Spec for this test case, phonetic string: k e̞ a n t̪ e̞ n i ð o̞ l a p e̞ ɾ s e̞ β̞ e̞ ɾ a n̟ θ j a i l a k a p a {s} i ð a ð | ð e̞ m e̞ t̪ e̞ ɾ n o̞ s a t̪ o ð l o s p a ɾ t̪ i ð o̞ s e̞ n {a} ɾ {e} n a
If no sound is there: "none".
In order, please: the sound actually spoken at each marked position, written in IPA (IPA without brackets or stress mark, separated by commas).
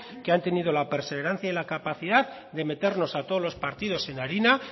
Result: θ, a, i